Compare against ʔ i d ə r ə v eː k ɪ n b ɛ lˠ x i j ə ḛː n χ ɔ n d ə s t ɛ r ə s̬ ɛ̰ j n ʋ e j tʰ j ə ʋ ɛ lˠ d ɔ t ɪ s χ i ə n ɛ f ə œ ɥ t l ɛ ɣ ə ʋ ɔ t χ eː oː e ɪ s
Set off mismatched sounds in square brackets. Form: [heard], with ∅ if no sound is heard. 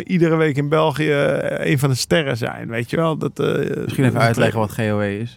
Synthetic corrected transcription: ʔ i d ə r ə [ʋ] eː k ɪ n b ɛ lˠ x i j ə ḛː n [f] ɔ n d ə s t ɛ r ə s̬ ɛ̰ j n ʋ e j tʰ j ə ʋ ɛ lˠ d ɔ t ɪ s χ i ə n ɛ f ə œ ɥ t l ɛ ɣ ə ʋ ɔ t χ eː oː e ɪ s